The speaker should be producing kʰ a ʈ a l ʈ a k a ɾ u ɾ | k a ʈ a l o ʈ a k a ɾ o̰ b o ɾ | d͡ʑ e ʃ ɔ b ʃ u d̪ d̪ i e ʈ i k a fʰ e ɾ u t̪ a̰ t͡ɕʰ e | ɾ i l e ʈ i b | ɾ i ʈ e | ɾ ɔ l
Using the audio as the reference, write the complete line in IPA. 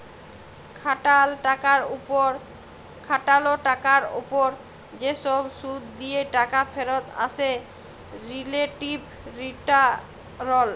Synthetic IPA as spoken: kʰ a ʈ a l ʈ a k a ɾ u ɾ | kʰ a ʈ a l o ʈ a k a ɾ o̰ p o ɾ | d͡ʑ e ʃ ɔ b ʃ u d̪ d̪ i e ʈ a k a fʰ e ɾ o t̪ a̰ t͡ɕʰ e | ɾ i l e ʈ i b | ɾ i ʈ a | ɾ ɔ l